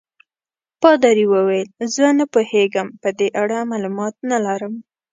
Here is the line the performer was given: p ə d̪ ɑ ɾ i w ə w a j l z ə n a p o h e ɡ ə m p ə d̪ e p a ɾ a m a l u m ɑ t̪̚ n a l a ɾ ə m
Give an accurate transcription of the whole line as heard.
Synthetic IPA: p ɑ d̪ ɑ ɾ i w ə w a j l z ə n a p o h e ɡ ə m p ə d̪ e ʔ a ɽ a m a l u m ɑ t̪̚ n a l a ɾ ə m